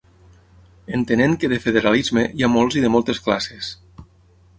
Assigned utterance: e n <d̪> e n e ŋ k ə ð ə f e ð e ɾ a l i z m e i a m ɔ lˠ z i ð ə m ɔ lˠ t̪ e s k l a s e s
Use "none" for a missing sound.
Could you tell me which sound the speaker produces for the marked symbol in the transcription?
t̪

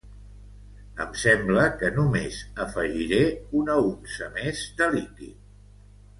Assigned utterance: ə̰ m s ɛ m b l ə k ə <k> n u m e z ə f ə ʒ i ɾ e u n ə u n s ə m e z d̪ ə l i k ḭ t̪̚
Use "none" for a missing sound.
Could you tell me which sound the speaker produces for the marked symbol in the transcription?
none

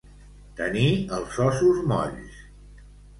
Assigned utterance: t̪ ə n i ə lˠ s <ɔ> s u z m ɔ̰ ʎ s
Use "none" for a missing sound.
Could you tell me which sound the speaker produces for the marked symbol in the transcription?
ɔ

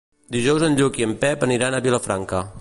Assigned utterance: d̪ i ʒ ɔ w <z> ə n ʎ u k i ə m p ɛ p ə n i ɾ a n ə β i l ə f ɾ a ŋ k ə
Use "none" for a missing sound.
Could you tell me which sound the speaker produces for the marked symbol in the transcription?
z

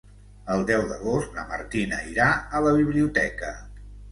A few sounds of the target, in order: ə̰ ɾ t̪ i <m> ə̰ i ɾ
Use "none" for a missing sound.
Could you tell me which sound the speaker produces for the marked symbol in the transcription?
n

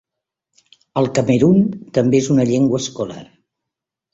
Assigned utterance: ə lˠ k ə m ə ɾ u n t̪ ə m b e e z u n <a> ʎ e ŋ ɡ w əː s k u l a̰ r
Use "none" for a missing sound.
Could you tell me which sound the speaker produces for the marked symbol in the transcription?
ə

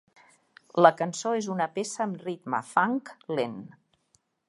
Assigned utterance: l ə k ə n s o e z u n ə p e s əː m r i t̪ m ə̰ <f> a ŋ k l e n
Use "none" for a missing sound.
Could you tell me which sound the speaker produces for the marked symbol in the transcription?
f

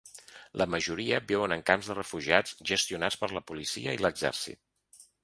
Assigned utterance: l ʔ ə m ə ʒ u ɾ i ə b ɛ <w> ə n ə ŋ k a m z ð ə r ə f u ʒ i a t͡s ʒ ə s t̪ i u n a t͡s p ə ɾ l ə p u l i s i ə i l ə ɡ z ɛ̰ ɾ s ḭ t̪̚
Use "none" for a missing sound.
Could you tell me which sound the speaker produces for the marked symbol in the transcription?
w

